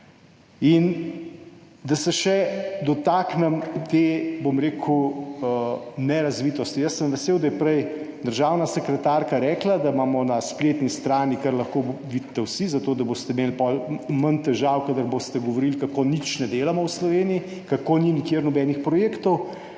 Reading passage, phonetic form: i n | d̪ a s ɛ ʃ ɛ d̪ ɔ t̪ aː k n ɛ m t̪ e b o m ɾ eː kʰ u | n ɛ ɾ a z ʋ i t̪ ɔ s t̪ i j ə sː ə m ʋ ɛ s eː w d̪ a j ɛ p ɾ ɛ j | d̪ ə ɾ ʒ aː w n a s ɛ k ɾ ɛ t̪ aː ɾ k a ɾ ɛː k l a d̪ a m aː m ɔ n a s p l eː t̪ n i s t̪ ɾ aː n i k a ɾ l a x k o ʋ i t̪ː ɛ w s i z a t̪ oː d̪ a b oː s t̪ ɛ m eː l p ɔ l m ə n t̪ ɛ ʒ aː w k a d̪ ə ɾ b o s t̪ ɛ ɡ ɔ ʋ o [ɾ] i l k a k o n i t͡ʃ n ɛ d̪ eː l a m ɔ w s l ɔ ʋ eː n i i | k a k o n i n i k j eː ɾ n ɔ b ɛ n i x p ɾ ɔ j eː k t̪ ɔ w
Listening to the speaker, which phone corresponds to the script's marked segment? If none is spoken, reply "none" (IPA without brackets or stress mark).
ɾ